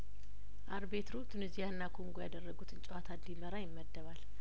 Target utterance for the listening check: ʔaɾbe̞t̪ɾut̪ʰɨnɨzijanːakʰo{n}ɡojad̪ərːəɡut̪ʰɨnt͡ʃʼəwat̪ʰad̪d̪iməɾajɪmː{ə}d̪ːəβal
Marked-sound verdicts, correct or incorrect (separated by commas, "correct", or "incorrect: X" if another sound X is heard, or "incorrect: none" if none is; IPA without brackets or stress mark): incorrect: ŋ, correct